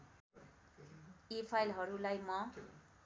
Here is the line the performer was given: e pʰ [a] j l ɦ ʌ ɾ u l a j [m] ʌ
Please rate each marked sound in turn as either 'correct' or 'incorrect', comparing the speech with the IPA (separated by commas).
correct, correct